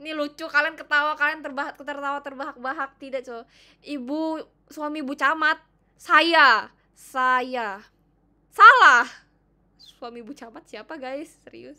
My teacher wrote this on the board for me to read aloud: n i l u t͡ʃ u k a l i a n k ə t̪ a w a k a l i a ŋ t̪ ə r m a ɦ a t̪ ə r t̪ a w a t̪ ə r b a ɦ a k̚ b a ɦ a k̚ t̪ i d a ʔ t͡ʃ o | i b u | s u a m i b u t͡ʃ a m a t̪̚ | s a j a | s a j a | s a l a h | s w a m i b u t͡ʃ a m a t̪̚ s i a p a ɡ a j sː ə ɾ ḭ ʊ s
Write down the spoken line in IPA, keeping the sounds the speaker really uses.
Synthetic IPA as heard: n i l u t͡ʃ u k a l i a n k ə t̪ a w a k a l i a n t̪ ə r b a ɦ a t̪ ə r t̪ a w a t̪ ə r b a ɦ a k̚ b a ɦ a k̚ t̪ i d a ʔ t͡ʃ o | i b u | s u a m i b u t͡ʃ a m a t̪̚ | s a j a | s a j a | s a l a h | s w a m i b u t͡ʃ a m a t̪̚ s i a p a ɡ a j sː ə ɾ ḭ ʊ s